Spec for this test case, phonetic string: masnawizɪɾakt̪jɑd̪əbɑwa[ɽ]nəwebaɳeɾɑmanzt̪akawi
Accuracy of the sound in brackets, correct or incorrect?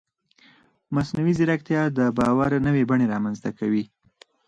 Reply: incorrect